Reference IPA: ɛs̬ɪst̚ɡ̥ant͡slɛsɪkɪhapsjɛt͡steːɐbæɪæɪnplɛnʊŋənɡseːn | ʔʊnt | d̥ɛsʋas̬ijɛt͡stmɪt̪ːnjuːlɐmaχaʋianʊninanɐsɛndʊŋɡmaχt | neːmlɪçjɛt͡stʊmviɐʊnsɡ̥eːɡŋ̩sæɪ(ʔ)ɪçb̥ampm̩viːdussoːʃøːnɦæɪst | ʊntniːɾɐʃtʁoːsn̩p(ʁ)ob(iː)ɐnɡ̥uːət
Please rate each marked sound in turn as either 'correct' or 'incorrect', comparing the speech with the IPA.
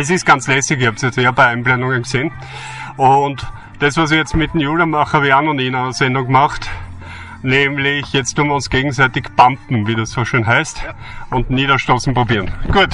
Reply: incorrect: t, correct, correct

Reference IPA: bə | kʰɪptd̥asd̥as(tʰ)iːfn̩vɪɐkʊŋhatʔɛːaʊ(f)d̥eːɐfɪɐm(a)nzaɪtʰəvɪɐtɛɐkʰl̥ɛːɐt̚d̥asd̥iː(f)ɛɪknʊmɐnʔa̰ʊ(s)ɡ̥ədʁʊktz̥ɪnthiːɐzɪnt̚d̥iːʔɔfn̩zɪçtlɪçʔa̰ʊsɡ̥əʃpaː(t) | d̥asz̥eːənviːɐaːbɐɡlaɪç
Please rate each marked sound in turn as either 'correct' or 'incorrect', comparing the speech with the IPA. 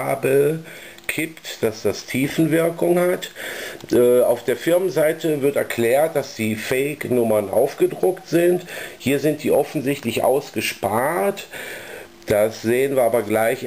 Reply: correct, correct, incorrect: ə, correct, incorrect: f, correct

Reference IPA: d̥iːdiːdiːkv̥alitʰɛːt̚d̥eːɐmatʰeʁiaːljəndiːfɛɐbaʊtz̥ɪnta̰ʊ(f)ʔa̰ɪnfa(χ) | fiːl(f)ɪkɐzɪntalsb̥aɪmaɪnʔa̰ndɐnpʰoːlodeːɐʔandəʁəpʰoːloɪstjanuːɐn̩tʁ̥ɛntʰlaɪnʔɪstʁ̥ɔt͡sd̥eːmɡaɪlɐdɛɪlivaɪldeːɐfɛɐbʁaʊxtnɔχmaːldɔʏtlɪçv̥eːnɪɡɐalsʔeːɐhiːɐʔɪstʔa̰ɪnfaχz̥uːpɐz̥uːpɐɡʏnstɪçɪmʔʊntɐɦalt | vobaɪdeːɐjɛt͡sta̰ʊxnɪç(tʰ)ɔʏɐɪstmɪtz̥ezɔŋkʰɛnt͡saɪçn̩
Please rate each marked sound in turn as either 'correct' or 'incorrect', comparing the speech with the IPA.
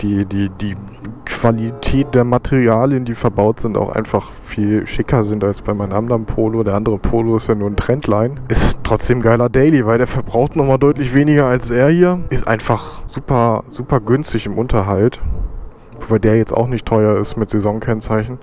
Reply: incorrect: x, correct, incorrect: ʃ, correct

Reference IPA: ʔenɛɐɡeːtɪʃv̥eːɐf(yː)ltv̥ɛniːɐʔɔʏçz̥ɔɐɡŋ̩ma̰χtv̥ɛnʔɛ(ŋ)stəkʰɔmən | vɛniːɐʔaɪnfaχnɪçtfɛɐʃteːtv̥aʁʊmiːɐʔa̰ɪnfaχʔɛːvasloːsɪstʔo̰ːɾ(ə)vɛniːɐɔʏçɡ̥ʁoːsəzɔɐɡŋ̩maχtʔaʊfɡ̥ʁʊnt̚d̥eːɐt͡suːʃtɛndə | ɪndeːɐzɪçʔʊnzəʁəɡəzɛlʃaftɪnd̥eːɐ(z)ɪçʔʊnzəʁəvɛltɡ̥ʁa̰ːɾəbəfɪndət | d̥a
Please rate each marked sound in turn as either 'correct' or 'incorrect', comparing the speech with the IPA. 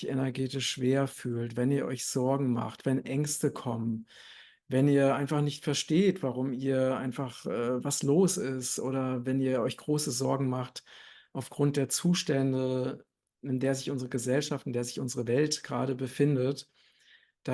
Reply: correct, correct, incorrect: ɐ, correct

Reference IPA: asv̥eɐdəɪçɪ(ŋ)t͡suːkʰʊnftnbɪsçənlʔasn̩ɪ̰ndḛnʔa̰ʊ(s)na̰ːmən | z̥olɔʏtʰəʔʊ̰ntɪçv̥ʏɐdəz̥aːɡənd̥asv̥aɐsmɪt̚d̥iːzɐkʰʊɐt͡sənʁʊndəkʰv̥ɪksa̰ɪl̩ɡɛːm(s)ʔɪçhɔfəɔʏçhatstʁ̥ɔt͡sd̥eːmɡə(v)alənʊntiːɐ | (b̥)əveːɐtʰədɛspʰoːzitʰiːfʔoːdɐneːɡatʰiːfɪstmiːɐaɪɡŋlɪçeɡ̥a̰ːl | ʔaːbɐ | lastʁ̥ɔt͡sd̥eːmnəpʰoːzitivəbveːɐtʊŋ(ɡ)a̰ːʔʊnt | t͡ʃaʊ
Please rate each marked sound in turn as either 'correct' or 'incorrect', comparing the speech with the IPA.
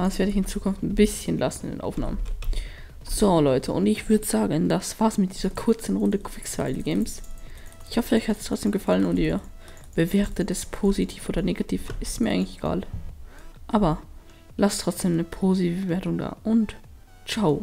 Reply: incorrect: n, incorrect: f, correct, incorrect: f, correct, incorrect: d

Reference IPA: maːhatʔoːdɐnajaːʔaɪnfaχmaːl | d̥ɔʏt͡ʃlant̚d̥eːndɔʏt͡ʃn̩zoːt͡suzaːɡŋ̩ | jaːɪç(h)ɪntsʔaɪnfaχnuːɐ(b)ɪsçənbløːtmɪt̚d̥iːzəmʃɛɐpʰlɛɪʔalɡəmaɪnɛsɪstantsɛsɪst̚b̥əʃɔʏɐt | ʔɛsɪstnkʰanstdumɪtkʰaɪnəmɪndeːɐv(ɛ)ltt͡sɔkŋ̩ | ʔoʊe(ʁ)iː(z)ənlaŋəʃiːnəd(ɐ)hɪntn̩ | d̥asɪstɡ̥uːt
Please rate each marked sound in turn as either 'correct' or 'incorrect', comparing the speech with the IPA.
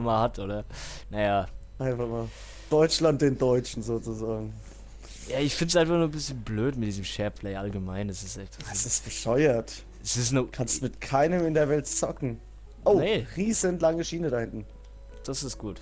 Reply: incorrect: f, correct, correct, correct, correct, incorrect: a

